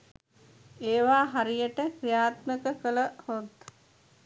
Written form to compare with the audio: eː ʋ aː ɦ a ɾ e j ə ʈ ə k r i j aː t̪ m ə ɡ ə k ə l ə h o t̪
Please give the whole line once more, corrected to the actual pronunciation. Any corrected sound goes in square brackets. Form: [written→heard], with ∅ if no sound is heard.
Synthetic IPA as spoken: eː ʋ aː ɦ a ɾ [e→i] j ə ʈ ə k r i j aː t̪ m ə [ɡ→k] ə k ə l ə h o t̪